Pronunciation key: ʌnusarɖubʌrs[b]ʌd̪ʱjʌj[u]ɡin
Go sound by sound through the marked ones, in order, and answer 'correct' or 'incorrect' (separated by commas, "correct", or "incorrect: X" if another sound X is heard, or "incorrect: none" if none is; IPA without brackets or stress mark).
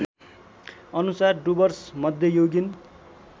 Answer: incorrect: m, incorrect: o